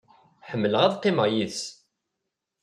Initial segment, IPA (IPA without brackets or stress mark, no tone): ħ